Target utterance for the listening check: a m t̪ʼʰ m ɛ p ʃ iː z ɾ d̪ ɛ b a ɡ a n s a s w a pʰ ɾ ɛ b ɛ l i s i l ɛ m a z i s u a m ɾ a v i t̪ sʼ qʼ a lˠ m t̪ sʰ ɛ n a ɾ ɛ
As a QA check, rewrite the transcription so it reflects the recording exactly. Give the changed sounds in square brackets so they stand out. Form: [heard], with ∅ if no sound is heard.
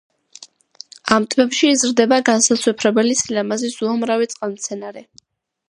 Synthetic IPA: a m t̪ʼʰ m ɛ p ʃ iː z ɾ d̪ ɛ b a ɡ a n s a s w [ɛ] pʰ ɾ ɛ b ɛ l i s i l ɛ m a z i s u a m ɾ a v i t̪ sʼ qʼ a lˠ m t̪ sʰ ɛ n a ɾ ɛ